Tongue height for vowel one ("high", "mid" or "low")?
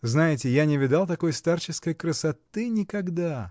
low